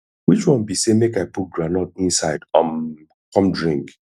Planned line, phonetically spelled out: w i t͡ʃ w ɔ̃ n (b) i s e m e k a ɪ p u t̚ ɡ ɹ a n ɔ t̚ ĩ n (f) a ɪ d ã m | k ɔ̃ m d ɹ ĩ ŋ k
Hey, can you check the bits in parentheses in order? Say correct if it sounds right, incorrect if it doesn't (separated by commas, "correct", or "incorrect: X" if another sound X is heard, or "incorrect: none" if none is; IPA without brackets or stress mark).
correct, incorrect: s